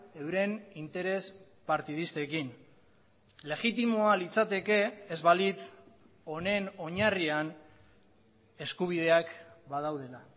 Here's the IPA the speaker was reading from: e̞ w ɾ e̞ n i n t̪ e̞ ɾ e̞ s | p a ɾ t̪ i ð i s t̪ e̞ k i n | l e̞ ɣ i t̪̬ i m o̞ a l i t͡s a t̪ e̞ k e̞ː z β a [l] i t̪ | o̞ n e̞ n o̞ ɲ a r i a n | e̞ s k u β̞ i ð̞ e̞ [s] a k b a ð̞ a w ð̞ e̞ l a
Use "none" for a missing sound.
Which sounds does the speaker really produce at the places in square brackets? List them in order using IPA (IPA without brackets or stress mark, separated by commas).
l, none